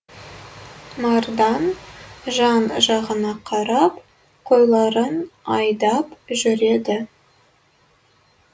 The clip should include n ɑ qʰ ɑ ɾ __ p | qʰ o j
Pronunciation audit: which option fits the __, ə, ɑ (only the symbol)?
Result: ɑ